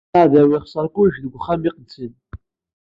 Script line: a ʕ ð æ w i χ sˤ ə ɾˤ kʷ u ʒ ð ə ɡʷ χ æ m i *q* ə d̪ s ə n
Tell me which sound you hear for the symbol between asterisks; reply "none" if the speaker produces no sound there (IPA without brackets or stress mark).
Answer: q